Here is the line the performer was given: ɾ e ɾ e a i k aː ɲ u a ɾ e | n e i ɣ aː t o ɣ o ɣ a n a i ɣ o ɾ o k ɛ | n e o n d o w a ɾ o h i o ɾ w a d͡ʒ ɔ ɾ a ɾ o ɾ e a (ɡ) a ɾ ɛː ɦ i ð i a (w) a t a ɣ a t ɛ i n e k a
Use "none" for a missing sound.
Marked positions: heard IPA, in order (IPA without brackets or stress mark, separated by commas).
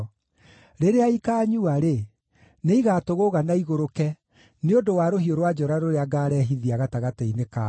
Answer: ɡ, ɣ